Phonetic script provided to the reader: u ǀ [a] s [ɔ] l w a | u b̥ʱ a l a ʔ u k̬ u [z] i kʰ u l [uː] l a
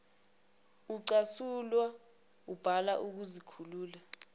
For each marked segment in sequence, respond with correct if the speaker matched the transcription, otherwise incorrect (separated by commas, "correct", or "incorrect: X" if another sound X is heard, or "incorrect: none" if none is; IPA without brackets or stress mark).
correct, incorrect: u, correct, correct